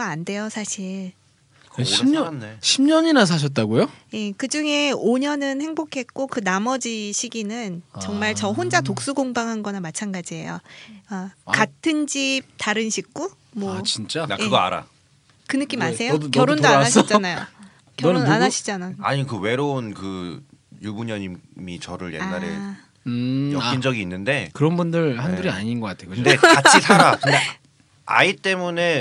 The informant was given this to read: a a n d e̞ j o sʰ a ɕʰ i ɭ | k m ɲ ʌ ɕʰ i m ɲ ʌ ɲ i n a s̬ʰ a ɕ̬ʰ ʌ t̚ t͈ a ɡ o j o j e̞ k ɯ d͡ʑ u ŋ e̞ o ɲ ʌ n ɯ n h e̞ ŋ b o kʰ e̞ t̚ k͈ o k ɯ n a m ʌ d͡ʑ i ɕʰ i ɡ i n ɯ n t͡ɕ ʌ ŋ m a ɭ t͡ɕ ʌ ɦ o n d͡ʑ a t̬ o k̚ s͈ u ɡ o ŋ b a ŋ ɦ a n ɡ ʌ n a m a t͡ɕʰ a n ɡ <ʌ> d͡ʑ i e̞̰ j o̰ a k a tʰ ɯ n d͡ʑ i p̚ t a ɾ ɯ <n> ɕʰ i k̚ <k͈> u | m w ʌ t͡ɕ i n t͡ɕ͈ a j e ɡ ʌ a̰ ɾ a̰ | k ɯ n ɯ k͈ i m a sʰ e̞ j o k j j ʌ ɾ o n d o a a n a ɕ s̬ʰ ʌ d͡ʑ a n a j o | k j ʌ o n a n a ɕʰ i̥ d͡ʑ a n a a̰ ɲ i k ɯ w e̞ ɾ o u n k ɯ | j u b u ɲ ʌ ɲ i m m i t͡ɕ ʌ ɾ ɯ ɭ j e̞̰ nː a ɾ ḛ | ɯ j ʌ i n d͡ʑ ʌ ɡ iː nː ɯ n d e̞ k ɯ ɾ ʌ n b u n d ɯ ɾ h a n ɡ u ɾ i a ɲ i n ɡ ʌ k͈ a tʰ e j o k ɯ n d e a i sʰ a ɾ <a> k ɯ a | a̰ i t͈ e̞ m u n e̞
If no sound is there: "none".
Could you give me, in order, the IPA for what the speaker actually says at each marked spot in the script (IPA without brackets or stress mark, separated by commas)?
a, n, k͈, a